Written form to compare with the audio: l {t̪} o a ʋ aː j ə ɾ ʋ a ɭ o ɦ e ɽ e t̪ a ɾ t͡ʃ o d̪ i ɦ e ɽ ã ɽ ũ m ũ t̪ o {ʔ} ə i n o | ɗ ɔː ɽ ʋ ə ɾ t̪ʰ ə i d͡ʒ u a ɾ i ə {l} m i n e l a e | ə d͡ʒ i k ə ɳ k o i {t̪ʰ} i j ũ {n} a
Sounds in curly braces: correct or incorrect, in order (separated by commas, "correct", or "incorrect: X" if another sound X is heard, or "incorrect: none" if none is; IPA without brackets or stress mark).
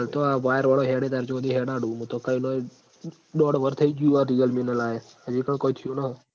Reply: correct, incorrect: k, correct, correct, correct